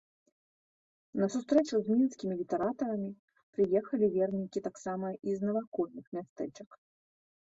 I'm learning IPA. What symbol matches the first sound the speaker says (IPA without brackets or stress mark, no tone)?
n